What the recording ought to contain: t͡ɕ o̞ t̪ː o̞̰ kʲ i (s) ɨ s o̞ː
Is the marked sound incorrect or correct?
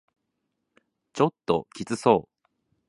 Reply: incorrect